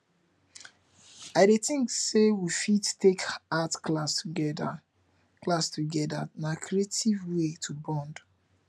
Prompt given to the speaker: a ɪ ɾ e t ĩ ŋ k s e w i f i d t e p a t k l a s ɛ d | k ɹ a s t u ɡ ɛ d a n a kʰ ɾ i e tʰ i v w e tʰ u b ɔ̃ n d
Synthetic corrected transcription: a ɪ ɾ e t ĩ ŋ k s e w i f i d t e k a t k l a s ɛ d | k l a s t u ɡ ɛ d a n a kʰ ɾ i e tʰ i v w e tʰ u b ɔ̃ n d